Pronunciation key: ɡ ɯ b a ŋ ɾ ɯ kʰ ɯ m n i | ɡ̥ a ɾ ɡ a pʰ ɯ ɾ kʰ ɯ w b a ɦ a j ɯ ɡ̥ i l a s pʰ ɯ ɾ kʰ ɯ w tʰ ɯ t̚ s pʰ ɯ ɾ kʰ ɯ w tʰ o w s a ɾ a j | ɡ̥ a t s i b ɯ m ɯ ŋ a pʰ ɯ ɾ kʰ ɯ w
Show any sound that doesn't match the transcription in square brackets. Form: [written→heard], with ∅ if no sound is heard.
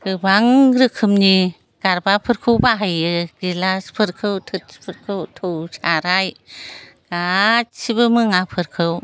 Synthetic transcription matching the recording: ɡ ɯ b a ŋ ɾ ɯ kʰ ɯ m n i | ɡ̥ a ɾ [ɡ→b] a pʰ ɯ ɾ kʰ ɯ w b a ɦ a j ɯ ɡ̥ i l a s pʰ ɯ ɾ kʰ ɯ w tʰ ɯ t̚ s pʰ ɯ ɾ kʰ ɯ w tʰ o w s a ɾ a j | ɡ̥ a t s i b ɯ m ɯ ŋ a pʰ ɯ ɾ kʰ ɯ w